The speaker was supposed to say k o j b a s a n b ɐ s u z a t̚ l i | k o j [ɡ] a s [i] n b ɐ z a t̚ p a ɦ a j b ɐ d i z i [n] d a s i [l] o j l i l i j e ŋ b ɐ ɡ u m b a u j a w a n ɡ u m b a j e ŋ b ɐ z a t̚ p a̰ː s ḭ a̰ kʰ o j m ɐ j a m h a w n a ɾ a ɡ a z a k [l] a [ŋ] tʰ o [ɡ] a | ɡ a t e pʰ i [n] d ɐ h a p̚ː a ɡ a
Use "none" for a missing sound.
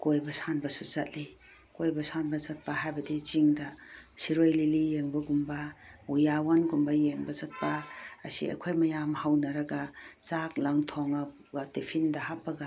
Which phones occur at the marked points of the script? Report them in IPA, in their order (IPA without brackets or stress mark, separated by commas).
b, a, ŋ, ɾ, l, ŋ, ŋ, n